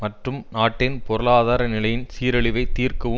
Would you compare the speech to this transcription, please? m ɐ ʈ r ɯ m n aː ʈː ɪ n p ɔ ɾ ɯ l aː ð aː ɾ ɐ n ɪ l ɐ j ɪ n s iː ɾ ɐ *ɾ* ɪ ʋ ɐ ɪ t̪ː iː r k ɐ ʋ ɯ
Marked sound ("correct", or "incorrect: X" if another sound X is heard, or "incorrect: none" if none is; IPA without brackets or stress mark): incorrect: ɭ